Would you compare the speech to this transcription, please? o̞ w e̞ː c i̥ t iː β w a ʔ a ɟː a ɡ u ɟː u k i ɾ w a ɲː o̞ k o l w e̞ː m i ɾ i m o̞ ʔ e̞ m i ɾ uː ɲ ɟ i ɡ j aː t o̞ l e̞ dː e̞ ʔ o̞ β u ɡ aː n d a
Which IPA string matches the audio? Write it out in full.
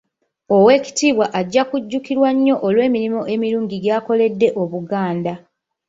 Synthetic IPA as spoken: o̞ w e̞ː c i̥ t iː β w a ʔ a ɟː a k u ɟː u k i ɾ w a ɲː o̞ ʔ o l w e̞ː m i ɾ i m o̞ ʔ e̞ m i ɾ uː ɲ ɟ i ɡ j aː k o̞ l e̞ dː e̞ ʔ o̞ β u ɡ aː n d a